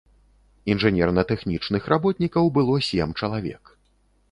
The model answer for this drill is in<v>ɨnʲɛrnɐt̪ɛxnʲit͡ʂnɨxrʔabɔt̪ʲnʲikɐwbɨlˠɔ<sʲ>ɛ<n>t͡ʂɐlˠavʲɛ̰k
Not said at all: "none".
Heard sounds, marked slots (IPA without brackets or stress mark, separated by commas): ʐ, sʲ, m